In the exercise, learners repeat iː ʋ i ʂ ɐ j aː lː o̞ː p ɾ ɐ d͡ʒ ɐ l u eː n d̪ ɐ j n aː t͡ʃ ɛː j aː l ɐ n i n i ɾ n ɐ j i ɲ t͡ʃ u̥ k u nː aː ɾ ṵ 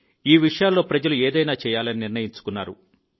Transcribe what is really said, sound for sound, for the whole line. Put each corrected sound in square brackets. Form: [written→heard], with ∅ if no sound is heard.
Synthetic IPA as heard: iː ʋ i ʂ ɐ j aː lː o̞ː p ɾ ɐ d͡ʒ ɐ l u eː [n→∅] d̪ ɐ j n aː t͡ʃ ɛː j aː l ɐ n i n i ɾ n ɐ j i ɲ t͡ʃ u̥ k u nː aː ɾ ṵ

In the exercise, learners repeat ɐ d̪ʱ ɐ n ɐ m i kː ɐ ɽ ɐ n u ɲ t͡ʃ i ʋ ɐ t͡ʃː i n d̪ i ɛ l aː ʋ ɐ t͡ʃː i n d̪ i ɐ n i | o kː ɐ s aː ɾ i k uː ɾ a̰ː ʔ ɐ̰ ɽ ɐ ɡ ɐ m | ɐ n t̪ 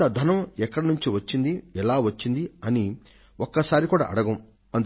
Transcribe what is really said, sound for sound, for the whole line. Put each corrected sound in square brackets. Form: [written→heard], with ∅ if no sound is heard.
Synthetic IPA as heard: ɐ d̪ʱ ɐ n ɐ m [i→ɛ] kː ɐ ɽ ɐ n u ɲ t͡ʃ i ʋ ɐ t͡ʃː i n d̪ i ɛ l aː ʋ ɐ t͡ʃː i n d̪ i ɐ n i | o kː ɐ s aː ɾ i k uː [ɾ→ɽ] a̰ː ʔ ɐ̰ ɽ ɐ ɡ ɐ m | ɐ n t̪

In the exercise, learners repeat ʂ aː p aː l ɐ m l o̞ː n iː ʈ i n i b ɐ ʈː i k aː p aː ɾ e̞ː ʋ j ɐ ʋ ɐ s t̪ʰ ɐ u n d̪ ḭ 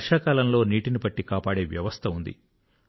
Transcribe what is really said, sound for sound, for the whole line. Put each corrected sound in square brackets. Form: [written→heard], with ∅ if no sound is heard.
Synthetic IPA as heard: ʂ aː [p→k] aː l ɐ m l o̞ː n iː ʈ i n i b ɐ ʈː i k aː p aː [ɾ→ɽ] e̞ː ʋ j ɐ ʋ ɐ s t̪ʰ ɐ u n d̪ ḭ

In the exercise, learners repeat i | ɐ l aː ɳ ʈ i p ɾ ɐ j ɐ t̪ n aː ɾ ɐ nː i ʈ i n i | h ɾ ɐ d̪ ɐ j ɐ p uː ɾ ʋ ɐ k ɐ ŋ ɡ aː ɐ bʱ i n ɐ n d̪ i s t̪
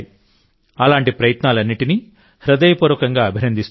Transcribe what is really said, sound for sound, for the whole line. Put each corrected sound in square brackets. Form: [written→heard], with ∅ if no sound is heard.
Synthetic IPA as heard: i | ɐ l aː ɳ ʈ i p ɾ ɐ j ɐ t̪ n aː [ɾ→l] ɐ nː i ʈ i n i | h ɾ ɐ d̪ ɐ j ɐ p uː ɾ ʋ ɐ k ɐ ŋ ɡ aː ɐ bʱ i n ɐ n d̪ i s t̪

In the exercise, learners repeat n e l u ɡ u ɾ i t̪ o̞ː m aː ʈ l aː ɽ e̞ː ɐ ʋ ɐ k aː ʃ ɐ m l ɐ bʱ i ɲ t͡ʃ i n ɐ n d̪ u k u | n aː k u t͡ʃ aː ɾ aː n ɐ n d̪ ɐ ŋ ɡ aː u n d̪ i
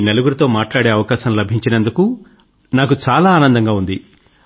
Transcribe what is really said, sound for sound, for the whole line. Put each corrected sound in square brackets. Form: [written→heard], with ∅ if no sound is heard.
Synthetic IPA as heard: n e l u ɡ u ɾ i t̪ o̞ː m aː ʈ l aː ɽ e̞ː ɐ ʋ ɐ k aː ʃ ɐ m l ɐ bʱ i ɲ t͡ʃ i n ɐ n d̪ u k u | n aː k u t͡ʃ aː [ɾ→l] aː n ɐ n d̪ ɐ ŋ ɡ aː u n d̪ i

